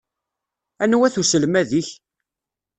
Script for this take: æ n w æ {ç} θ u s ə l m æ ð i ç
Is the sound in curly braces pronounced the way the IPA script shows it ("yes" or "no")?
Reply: no